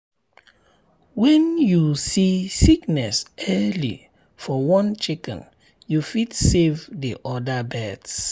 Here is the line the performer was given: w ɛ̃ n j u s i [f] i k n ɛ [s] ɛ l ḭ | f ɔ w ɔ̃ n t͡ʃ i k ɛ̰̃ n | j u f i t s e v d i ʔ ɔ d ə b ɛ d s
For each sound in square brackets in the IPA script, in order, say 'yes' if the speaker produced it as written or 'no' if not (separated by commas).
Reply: no, yes